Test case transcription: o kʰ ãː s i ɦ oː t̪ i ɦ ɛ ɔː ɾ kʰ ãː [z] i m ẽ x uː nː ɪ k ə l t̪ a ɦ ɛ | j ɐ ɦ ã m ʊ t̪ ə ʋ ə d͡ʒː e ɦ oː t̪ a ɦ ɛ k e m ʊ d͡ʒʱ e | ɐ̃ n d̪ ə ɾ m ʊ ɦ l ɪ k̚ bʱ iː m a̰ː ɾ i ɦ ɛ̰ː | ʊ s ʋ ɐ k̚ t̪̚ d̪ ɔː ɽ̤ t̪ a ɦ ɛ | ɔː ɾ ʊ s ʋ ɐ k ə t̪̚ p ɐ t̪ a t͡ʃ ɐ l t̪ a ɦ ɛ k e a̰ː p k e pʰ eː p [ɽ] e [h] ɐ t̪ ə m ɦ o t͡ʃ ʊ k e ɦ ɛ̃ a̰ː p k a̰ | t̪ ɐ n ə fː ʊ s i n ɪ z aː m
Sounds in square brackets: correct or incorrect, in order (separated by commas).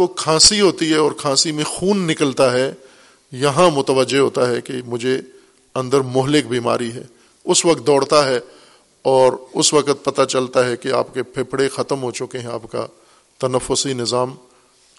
incorrect, correct, incorrect